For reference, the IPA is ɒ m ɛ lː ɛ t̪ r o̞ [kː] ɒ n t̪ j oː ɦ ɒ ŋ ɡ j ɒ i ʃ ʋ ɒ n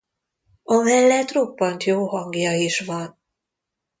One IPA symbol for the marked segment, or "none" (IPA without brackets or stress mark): pː